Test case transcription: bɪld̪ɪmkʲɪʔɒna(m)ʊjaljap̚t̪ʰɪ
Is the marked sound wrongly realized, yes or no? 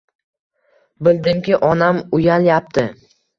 no